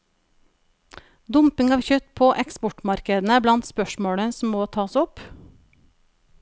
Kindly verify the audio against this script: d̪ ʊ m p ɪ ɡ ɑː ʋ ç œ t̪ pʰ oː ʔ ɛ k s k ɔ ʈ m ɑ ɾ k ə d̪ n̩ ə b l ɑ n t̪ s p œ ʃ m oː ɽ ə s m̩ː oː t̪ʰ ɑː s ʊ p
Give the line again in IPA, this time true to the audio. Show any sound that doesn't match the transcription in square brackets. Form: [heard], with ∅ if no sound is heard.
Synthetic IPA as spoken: d̪ ʊ m p ɪ [ŋ] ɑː ʋ ç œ t̪ pʰ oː ʔ ɛ k s [p] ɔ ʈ m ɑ ɾ k ə d̪ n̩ ə b l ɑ n t̪ s p œ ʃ m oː ɽ ə s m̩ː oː t̪ʰ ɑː s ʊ p